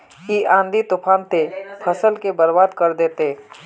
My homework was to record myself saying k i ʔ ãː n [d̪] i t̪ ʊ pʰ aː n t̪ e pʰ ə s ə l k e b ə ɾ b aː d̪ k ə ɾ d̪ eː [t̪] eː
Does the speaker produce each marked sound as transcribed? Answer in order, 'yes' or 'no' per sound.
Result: yes, yes

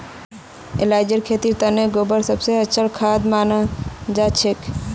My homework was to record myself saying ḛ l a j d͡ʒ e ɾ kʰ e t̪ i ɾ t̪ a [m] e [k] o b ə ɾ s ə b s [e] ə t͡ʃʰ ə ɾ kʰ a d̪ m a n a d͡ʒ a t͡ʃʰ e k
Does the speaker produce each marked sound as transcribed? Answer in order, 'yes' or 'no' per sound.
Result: no, no, yes

